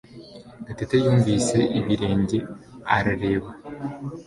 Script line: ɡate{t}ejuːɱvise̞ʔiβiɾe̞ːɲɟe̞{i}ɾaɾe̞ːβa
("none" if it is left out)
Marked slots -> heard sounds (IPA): t, a

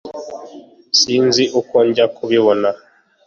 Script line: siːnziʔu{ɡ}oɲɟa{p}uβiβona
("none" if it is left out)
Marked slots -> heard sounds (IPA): k, k

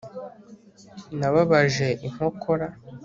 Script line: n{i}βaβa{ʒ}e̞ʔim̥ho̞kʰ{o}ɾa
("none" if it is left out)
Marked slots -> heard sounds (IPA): a, ʒ, o

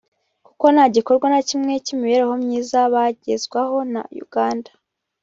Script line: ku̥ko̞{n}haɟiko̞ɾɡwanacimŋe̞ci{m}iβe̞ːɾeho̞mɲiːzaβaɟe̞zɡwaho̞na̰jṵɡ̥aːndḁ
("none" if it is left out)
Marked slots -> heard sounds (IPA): n, m

